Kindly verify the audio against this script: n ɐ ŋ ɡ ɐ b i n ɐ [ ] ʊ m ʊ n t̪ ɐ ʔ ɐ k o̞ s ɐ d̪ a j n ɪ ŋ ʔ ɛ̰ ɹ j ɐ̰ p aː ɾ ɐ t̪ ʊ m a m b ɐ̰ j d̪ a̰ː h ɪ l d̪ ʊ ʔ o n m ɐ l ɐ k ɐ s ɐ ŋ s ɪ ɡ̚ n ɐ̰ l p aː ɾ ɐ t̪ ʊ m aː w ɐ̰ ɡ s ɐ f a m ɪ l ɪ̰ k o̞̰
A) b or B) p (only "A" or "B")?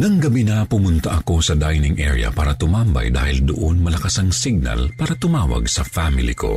B